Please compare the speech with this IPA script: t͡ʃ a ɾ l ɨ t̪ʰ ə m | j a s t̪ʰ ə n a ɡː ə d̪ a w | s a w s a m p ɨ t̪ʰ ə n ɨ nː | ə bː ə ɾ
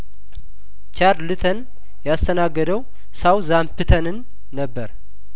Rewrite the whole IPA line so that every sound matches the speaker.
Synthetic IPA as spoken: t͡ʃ a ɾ l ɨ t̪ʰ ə n | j a s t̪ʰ ə n a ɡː ə d̪ ə w | s a w z a m p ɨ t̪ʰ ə n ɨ nː | ə bː ə ɾ